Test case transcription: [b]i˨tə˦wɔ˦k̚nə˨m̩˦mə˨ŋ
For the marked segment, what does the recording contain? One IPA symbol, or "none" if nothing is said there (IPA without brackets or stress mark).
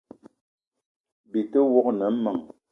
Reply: b